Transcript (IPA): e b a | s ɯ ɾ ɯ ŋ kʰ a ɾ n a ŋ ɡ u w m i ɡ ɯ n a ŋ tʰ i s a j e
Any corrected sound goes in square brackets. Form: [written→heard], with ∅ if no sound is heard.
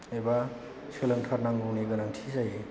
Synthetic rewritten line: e b a | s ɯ [ɾ→l] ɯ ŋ [kʰ→tʰ] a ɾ n a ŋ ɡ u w [m→n] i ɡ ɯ n a ŋ tʰ i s a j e